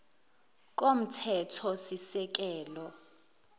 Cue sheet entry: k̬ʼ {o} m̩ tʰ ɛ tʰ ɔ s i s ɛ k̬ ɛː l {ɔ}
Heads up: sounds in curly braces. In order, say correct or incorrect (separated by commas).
correct, correct